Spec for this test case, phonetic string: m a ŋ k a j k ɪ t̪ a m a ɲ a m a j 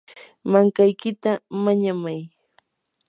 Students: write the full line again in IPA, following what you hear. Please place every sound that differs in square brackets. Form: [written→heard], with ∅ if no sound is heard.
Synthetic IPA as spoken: m a ŋ k a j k ɪ t̪ a m a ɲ a m a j